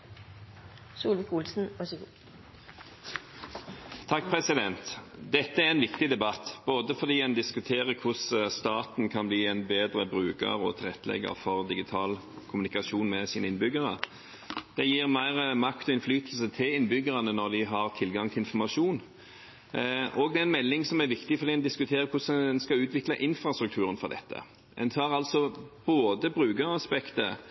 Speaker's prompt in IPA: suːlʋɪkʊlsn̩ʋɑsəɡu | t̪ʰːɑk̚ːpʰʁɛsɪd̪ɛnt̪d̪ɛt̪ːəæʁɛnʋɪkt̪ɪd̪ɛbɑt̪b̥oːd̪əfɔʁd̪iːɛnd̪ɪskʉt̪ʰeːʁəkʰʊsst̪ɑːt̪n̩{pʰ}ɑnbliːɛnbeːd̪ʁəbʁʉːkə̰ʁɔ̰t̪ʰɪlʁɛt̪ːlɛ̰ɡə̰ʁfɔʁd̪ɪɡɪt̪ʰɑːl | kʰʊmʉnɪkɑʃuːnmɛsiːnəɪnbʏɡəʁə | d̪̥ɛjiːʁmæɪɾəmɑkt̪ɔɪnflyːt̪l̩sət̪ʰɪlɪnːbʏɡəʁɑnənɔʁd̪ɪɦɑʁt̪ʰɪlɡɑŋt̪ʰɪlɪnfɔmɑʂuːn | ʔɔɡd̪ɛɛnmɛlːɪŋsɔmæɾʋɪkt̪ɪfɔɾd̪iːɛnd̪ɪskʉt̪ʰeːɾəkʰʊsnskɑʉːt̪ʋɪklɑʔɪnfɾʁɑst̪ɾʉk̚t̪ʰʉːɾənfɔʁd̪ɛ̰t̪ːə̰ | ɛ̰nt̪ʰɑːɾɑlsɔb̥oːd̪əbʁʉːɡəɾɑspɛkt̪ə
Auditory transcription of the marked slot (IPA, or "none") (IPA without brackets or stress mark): kʰ